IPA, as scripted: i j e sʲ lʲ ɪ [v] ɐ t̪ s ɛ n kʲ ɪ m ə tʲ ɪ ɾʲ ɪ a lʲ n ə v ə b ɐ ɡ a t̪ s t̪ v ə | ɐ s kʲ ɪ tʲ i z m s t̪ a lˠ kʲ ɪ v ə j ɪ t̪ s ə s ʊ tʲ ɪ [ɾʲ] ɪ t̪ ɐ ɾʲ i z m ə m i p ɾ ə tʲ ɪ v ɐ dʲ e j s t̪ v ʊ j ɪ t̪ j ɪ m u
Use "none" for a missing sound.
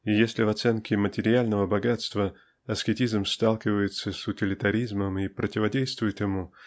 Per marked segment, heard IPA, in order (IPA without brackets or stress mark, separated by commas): v, lʲ